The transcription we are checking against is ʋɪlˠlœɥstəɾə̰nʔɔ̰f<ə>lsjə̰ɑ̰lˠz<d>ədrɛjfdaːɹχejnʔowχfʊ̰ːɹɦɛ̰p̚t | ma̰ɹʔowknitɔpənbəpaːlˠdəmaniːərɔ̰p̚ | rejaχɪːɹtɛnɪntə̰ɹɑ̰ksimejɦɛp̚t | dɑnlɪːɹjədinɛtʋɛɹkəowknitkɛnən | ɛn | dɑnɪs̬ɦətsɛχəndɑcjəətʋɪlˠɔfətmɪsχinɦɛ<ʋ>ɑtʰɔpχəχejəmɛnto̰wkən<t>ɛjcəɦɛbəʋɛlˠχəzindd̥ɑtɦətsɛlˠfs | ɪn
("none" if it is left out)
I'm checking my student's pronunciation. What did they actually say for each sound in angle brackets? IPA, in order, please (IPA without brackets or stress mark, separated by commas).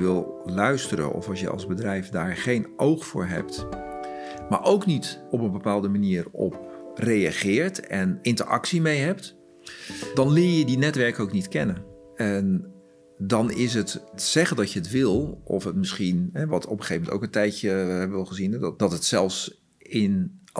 ɑ, b, ʋ, t